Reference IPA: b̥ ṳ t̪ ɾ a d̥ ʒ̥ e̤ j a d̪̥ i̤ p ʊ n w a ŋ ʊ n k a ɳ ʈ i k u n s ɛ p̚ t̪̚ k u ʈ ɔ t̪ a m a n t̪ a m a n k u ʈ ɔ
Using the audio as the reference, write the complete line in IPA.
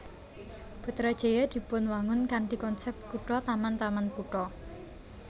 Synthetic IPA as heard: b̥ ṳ t̪ ɾ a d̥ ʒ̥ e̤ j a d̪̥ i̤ p ʊ n w a ŋ ʊ n k a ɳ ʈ i k ɔ n s ɛ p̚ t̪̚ k u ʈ ɔ t̪ a m a n t̪ a m a n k u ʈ ɔ